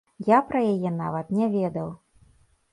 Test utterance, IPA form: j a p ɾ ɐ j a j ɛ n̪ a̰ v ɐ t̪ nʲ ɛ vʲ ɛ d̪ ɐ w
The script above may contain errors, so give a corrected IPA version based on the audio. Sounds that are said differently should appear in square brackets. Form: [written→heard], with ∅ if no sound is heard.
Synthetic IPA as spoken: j a p ɾ ɐ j a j ɛ n̪ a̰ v ɐ t̪ nʲ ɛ vʲ ɛ d̪ ɐ w